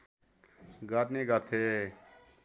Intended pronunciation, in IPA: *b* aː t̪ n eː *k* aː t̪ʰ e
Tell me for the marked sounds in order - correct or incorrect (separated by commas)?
incorrect, incorrect